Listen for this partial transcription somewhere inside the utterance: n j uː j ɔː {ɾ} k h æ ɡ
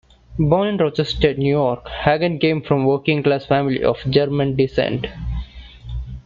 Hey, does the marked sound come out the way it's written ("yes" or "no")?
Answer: yes